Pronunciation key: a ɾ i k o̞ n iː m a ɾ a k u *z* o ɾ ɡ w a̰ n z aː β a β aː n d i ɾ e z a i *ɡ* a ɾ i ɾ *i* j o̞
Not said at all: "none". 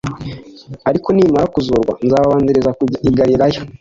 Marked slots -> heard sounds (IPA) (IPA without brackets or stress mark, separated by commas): z, ɡ, a